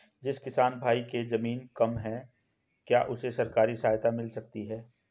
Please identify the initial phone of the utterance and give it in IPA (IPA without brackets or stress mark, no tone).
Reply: d͡ʒ